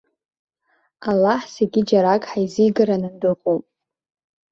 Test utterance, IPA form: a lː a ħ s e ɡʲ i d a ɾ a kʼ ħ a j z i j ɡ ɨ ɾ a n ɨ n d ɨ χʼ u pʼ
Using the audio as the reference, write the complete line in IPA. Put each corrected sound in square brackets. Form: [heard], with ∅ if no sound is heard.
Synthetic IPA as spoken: a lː a ħ s e ɡʲ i [d͡ʒ] a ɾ a kʼ ħ a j z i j ɡ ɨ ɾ a n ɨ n d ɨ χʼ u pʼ